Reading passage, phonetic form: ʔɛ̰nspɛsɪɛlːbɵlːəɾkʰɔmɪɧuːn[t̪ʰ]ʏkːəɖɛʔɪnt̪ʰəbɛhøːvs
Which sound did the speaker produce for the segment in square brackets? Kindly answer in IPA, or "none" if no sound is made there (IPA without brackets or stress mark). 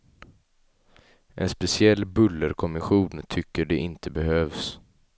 t̪ʰ